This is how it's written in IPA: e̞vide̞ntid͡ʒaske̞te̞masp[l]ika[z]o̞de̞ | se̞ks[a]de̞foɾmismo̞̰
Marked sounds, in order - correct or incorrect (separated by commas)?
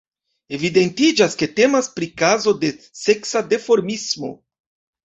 incorrect, correct, correct